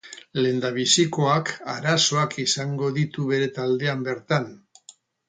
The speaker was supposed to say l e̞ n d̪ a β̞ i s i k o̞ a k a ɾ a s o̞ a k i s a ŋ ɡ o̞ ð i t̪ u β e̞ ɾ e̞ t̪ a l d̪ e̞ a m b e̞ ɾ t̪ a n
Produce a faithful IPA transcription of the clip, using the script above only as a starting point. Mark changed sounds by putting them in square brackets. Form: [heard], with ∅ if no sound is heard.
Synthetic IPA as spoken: l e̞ n d̪ a β̞ i s i k o̞ a k a ɾ a s o̞ a k i s a ŋ ɡ o̞ ð i t̪ u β e̞ ɾ e̞ t̪ a l d̪ e̞ a m b e̞ ɾ t̪ a n